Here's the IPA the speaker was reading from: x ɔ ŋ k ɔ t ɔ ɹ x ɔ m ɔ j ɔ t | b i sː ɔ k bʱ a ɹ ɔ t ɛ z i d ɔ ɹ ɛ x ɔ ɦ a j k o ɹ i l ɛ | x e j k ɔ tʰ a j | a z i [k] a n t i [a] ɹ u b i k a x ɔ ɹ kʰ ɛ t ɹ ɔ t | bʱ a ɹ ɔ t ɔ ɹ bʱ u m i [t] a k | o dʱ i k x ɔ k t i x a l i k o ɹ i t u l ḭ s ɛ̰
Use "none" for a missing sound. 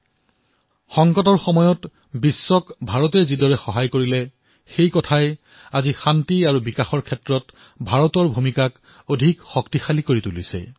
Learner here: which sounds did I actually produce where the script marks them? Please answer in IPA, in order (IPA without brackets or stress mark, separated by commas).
x, a, k